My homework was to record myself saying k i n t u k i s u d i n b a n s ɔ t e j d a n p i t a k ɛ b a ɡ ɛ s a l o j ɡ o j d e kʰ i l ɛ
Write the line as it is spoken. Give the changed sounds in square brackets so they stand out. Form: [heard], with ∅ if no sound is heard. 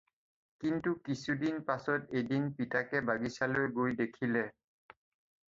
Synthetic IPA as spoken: k i n t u k i s u d i n [p] a [∅] s ɔ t e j d [i] n p i t a k ɛ b a ɡ [i] s a l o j ɡ o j d e kʰ i l ɛ